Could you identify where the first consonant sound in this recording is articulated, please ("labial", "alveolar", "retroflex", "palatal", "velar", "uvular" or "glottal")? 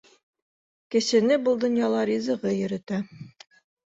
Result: velar